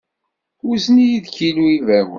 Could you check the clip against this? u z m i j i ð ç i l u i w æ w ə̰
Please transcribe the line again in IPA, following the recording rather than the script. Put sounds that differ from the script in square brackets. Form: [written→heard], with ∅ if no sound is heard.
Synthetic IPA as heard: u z [m→n] i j i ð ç i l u i [w→v] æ w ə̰